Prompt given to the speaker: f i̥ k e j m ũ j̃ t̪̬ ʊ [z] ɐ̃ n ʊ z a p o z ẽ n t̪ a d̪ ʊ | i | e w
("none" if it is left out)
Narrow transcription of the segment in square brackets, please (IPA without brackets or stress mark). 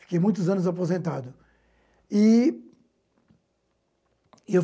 z